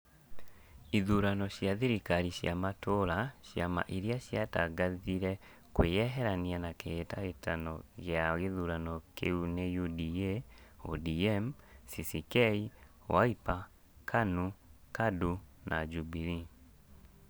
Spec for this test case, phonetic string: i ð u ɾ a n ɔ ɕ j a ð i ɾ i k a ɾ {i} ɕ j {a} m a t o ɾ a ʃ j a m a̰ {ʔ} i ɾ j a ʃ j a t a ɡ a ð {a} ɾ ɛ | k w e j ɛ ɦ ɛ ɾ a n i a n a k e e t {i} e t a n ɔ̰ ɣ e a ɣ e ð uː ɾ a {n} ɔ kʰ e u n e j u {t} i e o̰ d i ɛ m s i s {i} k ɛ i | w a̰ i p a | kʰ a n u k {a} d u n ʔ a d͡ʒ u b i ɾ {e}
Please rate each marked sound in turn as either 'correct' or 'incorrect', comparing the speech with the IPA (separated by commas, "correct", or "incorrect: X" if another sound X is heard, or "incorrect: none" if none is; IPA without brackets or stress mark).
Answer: correct, correct, correct, incorrect: i, incorrect: a, correct, incorrect: d, correct, correct, incorrect: i